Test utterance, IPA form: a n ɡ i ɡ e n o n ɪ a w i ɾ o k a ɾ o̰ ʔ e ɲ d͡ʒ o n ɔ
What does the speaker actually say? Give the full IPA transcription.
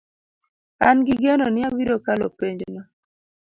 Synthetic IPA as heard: a n ɡ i ɡ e n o n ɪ a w i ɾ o k a l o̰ p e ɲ d͡ʒ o n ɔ